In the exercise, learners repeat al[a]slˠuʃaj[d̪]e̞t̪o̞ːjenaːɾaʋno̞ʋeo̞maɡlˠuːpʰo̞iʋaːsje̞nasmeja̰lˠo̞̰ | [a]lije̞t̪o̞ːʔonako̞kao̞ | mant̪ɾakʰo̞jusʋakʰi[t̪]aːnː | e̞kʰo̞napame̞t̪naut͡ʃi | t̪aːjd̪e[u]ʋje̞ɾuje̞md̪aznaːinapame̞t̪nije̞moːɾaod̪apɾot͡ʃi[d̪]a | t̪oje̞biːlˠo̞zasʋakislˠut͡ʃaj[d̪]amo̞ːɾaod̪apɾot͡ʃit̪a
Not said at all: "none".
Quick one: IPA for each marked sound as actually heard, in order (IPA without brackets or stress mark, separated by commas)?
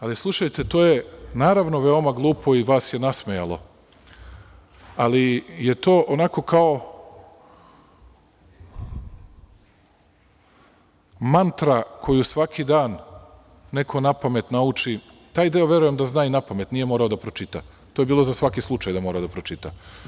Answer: i, t̪, a, d̪, o, t̪, d̪